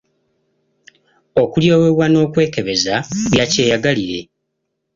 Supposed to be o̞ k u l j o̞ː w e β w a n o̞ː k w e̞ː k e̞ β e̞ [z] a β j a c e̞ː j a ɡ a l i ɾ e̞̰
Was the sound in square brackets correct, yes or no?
yes